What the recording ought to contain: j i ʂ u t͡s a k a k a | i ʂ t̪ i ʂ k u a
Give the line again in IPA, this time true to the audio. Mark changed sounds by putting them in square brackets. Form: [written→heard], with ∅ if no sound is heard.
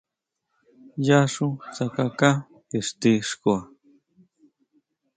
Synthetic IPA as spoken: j [i→a] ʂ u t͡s a k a k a | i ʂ t̪ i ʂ k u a

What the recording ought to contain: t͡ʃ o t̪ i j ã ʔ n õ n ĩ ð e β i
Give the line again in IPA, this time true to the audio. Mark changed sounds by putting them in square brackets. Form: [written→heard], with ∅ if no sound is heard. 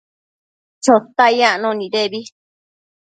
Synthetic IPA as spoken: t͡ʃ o t̪ [i→a] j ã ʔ n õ n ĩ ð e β i

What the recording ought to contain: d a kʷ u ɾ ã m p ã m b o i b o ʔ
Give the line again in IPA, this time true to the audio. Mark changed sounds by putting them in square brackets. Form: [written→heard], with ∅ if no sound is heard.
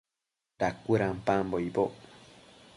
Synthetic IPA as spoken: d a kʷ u ɾ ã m p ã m b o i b o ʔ

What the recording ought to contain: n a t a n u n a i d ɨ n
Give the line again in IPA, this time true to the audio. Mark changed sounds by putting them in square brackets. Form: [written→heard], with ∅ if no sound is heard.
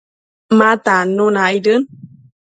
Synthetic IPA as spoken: [n→m] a t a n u n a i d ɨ n

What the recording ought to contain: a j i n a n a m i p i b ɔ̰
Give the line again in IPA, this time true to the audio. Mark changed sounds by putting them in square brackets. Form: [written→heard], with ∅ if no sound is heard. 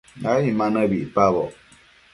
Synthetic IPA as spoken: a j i [n→m] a n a [m→b] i p [i→a] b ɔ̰

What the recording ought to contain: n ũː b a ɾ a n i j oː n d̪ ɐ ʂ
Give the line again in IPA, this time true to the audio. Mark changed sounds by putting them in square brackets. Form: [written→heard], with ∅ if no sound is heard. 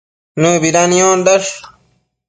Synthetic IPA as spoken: n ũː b [a→i] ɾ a n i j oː n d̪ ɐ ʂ

